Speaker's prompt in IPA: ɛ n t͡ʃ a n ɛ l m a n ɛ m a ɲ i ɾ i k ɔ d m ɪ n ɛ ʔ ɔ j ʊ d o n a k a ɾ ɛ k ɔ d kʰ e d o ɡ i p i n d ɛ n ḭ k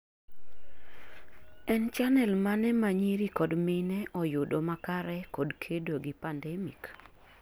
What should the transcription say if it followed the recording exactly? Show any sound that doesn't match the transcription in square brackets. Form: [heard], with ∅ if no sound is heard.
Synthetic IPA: ɛ n t͡ʃ a n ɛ l m a n ɛ m a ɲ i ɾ i k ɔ d m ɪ n ɛ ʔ ɔ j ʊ d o [m] a k a ɾ ɛ k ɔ d kʰ e d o ɡ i p [a] n d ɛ [m] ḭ k

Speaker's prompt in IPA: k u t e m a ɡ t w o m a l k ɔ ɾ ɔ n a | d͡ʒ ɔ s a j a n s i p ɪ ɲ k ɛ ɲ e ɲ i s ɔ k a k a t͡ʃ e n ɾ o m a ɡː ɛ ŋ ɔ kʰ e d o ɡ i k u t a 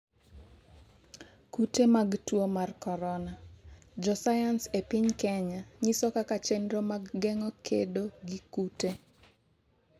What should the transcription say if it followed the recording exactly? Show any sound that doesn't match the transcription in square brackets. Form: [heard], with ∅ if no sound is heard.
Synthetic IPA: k u t e m a ɡ t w o m a [r] k ɔ ɾ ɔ n a | d͡ʒ ɔ s a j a n s [e] p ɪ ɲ k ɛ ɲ [a] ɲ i s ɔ k a k a t͡ʃ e n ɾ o m a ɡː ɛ ŋ ɔ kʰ e d o ɡ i k u t [e]

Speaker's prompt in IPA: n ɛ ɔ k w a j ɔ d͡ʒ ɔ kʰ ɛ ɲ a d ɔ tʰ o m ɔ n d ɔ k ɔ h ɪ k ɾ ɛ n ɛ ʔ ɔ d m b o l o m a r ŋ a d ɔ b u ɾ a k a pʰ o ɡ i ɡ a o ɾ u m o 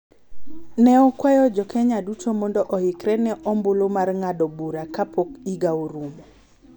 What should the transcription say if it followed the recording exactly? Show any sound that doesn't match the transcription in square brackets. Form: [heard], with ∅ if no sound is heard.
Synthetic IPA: n ɛ ɔ k w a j ɔ d͡ʒ ɔ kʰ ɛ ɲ a d [u] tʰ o m ɔ n d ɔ [ʔ] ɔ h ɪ k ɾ ɛ n ɛ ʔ ɔ [∅] m b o l o m a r ŋ a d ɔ b u ɾ a k a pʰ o [k] i ɡ a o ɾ u m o

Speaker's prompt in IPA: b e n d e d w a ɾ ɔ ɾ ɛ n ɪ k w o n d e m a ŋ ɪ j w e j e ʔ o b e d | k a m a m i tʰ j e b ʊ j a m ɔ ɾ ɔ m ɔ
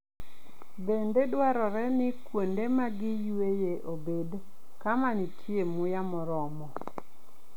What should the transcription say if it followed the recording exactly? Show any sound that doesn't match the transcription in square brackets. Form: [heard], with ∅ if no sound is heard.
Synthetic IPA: b e n d e d w a ɾ ɔ ɾ ɛ n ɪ k w o n d e m a [ɡ] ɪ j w e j e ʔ o b e d | k a m a [n] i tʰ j e [m] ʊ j a m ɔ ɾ ɔ m ɔ

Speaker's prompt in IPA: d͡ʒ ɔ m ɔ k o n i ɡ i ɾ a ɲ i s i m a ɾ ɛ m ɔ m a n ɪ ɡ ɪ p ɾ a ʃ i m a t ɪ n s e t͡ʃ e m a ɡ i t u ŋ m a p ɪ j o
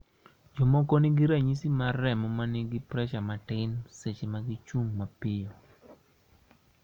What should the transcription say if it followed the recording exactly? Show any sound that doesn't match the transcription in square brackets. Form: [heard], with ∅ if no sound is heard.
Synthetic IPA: d͡ʒ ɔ m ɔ k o n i ɡ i ɾ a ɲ i s i m a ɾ ɛ m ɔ m a n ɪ ɡ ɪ p ɾ [ɛ] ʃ [a] m a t ɪ n s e t͡ʃ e m a ɡ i [t͡ʃ] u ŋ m a p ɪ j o

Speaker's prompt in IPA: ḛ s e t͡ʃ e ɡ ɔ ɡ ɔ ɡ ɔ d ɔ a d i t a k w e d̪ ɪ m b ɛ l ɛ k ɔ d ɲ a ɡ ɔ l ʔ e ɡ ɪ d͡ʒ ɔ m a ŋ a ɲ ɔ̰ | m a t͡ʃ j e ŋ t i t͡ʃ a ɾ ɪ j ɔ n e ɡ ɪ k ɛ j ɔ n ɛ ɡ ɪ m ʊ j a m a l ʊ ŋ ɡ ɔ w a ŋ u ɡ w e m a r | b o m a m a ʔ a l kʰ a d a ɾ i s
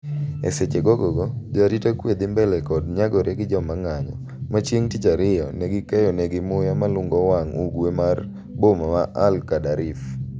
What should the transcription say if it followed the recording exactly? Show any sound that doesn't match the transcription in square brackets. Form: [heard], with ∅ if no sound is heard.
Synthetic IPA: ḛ s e t͡ʃ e ɡ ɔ ɡ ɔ ɡ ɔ [d͡ʒ] ɔ a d i t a k w e d̪ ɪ m b ɛ l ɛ k ɔ d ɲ a ɡ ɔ [ɾ] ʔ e ɡ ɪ d͡ʒ ɔ m a ŋ a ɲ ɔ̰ | m a t͡ʃ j e ŋ t i t͡ʃ a ɾ ɪ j ɔ n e ɡ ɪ k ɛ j ɔ n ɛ ɡ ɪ m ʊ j a m a l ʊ ŋ ɡ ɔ w a ŋ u ɡ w e m a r | b o m a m a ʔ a l [k] a d a ɾ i [f]

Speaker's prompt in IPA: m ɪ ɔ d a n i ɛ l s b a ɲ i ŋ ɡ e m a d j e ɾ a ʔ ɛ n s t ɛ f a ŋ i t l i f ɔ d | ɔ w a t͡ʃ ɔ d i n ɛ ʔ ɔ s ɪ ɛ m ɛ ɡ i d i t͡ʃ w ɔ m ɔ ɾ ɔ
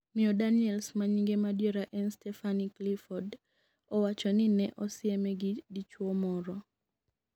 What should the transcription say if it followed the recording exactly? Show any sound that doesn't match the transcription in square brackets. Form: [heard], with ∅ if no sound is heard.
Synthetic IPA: m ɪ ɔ d a n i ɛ l s [m] a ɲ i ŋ ɡ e m a d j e ɾ a ʔ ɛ n s t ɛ f a [n] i [k] l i f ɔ d | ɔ w a t͡ʃ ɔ [n] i n ɛ ʔ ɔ s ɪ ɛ m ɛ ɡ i d i t͡ʃ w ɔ m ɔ ɾ ɔ

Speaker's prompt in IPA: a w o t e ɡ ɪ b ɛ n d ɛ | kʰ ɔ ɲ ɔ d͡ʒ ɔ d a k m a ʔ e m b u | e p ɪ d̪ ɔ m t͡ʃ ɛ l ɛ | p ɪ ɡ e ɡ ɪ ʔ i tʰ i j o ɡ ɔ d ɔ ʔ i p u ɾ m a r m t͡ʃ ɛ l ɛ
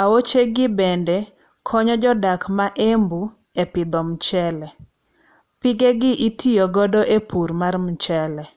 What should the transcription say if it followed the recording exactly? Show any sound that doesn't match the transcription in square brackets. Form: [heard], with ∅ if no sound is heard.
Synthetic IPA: a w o [t͡ʃ] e ɡ ɪ b ɛ n d ɛ | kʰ ɔ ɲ ɔ d͡ʒ ɔ d a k m a ʔ e m b u | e p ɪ d̪ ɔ m t͡ʃ ɛ l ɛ | p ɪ ɡ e ɡ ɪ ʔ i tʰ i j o ɡ ɔ d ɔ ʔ [e] p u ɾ m a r m t͡ʃ ɛ l ɛ

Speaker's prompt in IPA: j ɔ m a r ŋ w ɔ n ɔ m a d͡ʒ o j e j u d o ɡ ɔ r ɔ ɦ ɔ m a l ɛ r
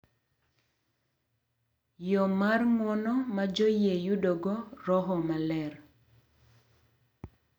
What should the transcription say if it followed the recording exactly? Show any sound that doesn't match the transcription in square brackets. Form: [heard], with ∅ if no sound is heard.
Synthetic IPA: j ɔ m a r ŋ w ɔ n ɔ m a d͡ʒ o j e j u d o ɡ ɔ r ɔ ɦ ɔ m a l ɛ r

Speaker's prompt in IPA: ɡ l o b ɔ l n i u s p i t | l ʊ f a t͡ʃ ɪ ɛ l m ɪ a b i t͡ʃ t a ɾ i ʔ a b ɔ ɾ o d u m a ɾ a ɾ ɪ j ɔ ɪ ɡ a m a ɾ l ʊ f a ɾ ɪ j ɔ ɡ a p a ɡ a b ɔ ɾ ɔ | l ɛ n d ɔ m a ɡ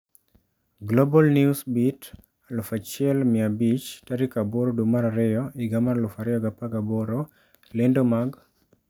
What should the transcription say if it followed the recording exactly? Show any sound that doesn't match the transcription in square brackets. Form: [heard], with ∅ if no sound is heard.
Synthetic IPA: ɡ l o b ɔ l n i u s [b] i t | l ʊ f a t͡ʃ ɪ ɛ l m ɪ a b i t͡ʃ t a ɾ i [k] a b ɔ ɾ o d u m a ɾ a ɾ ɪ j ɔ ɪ ɡ a m a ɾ l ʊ f a ɾ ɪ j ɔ ɡ a p a ɡ a b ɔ ɾ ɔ | l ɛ n d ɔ m a ɡ

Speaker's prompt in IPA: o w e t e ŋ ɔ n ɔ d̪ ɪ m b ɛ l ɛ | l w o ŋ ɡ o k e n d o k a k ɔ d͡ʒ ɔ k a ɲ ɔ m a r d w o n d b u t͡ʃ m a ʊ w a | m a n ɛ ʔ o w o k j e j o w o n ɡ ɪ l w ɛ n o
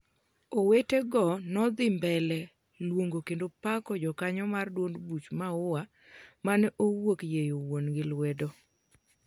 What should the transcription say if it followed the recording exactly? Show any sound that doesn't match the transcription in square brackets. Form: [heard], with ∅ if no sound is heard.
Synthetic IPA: o w e t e [ɡ] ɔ n ɔ d̪ ɪ m b ɛ l ɛ | l w o ŋ ɡ o k e n d o [p] a k ɔ d͡ʒ ɔ k a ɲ ɔ m a r d w o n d b u t͡ʃ m a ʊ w a | m a n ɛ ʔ o w o k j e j o w o n ɡ ɪ l w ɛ [d] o

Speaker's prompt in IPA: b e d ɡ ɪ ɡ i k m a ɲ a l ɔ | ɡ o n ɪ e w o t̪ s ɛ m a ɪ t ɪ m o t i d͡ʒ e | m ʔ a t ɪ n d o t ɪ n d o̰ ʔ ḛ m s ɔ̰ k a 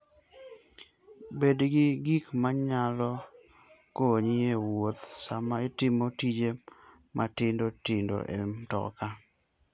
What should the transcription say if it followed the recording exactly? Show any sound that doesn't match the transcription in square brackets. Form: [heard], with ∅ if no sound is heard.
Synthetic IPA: b e d ɡ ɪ ɡ i k m a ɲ a l ɔ | [k] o [ɲ] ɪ e w o t̪ s [a] m a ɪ t ɪ m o t i d͡ʒ e | m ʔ a t ɪ n d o t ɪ n d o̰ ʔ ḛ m [t] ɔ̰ k a

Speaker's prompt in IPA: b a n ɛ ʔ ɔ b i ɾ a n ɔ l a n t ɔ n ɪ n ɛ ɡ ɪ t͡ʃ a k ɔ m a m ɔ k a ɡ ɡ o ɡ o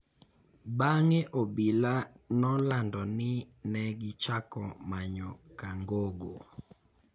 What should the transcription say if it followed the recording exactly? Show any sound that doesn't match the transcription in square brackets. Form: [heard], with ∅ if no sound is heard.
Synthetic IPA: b a [ŋ] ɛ ʔ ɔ b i [l] a n ɔ l a n [d] ɔ n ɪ n ɛ ɡ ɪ t͡ʃ a k ɔ m a [ɲ] ɔ k a [ŋ] ɡ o ɡ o

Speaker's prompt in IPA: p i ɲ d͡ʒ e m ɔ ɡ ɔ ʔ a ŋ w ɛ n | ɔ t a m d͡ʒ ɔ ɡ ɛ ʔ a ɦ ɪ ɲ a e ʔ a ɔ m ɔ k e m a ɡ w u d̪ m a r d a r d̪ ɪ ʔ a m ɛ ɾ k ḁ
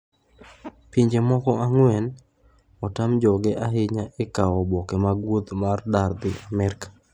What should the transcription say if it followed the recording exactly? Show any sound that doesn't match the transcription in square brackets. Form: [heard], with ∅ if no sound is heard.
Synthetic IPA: p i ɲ d͡ʒ e m ɔ [k] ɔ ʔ a ŋ w ɛ n | ɔ t a m d͡ʒ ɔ ɡ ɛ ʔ a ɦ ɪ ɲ a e [k] a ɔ [b] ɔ k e m a ɡ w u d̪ m a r d a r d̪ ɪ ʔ a m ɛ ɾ k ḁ

